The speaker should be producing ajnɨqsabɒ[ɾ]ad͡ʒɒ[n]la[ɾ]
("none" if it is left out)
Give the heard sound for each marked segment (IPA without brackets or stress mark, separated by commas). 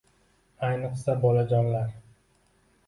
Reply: l, n, ɾ